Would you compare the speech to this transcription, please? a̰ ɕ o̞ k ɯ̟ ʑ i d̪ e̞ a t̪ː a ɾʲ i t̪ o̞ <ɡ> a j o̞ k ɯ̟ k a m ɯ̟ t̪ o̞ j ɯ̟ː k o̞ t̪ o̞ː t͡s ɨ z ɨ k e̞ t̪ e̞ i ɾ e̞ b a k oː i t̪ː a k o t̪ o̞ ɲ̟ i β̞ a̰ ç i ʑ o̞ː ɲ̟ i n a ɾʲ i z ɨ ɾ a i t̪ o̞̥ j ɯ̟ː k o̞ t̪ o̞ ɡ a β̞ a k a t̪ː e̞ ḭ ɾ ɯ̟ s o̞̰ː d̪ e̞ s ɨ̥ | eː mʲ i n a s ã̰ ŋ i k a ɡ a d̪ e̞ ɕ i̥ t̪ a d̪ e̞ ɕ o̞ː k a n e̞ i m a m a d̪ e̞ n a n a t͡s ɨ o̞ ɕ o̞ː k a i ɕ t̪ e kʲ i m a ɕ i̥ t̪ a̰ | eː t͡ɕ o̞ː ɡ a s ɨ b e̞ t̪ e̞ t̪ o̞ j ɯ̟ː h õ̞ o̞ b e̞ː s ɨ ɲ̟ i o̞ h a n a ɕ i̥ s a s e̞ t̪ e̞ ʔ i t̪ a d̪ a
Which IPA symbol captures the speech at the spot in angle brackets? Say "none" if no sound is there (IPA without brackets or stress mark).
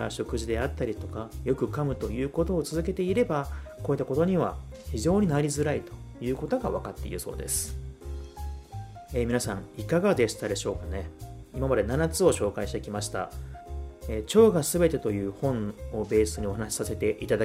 k